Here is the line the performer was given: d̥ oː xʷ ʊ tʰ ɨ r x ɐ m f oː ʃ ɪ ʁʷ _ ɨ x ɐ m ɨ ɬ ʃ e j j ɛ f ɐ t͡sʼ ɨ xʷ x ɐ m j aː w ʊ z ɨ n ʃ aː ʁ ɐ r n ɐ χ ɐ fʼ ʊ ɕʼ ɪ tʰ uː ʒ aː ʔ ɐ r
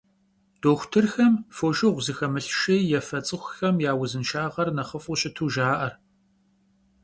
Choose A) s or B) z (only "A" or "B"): B